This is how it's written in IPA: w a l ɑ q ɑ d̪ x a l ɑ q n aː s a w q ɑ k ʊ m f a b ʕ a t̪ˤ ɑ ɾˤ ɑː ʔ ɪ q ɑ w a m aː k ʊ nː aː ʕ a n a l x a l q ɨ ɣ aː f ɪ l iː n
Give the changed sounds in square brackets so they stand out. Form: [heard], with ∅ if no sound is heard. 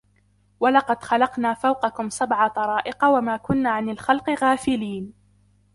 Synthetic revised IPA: w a l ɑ q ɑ d̪ x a l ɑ q n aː [f] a w q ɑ k ʊ m [s] a b ʕ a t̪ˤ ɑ ɾˤ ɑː ʔ ɪ q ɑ w a m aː k ʊ nː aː ʕ a n a l x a l q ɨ ɣ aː f ɪ l iː n